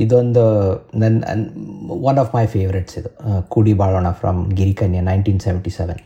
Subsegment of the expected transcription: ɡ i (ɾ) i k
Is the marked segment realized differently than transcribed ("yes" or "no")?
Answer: no